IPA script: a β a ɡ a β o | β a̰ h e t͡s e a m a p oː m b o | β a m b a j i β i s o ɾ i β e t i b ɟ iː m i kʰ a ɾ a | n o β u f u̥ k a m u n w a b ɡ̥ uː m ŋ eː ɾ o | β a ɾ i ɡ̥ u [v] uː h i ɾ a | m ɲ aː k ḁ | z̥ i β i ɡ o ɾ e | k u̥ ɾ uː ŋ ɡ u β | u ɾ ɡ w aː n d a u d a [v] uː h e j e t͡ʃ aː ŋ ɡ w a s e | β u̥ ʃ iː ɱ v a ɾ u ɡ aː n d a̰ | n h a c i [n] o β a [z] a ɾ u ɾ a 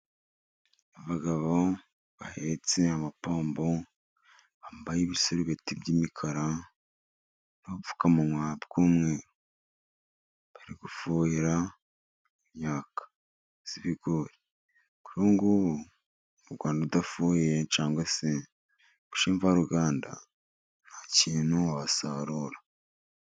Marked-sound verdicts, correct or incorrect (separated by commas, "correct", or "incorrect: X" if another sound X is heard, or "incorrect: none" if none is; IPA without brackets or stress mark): incorrect: f, incorrect: f, correct, incorrect: s